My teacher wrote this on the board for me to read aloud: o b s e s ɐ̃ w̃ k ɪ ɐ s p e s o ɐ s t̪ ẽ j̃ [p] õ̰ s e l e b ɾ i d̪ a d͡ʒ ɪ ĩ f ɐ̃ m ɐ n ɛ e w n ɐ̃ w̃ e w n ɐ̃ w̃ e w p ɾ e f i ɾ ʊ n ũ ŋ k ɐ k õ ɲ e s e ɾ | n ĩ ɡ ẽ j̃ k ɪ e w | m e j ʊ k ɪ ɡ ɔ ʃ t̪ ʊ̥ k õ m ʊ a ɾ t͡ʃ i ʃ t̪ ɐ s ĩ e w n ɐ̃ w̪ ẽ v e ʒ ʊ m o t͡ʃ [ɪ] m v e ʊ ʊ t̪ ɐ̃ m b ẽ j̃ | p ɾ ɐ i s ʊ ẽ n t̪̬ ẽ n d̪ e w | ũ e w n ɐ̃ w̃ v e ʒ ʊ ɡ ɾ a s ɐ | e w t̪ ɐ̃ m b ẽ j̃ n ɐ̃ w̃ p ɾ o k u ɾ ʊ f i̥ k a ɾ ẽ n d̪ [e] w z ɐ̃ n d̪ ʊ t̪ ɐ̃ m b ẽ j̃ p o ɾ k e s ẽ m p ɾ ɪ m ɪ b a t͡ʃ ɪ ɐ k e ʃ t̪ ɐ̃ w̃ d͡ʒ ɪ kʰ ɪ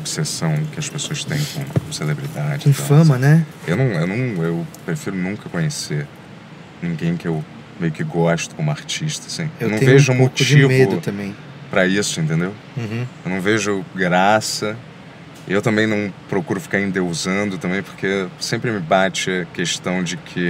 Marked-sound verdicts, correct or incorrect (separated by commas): incorrect, incorrect, correct